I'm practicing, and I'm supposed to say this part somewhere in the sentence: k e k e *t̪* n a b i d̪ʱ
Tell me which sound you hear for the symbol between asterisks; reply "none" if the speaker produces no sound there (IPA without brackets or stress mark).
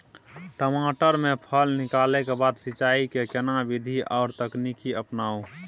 none